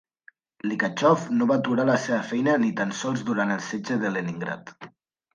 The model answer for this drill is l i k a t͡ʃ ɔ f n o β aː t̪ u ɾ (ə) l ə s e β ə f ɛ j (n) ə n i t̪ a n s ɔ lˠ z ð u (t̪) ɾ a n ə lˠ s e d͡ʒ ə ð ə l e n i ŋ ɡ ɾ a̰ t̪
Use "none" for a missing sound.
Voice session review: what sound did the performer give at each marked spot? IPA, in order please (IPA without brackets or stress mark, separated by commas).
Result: a, n, none